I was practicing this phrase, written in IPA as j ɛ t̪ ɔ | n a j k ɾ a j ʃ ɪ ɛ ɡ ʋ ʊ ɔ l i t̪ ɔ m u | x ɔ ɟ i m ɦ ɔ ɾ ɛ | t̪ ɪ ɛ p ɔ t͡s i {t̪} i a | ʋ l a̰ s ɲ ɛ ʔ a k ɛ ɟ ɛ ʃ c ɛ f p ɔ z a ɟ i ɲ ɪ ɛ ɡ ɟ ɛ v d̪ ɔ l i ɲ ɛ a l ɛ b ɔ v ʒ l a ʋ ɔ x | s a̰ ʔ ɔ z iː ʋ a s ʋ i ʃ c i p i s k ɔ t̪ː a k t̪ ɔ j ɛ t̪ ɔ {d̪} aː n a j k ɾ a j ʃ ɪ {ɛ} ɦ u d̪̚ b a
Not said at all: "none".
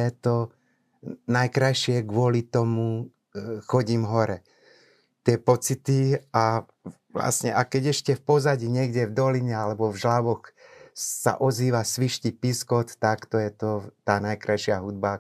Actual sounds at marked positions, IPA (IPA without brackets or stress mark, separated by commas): t̪, t̪, a